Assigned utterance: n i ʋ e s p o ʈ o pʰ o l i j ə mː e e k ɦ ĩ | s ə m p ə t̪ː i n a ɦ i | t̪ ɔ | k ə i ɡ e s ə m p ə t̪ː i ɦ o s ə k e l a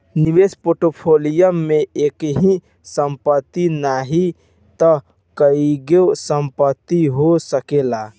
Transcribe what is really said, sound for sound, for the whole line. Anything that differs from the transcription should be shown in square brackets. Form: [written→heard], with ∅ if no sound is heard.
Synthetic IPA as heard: n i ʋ e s p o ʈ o pʰ o l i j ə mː e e k ɦ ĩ | s ə m p ə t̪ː i n a ɦ i | t̪ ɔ | k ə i ɡ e s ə m p ə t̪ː i ɦ o s ə k e l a